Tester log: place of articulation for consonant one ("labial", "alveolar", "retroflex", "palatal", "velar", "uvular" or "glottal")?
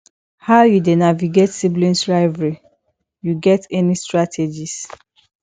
glottal